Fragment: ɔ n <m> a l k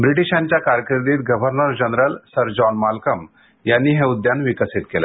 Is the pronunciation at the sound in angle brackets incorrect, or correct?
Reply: correct